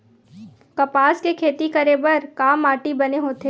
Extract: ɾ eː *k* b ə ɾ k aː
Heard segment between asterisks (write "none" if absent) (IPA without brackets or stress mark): none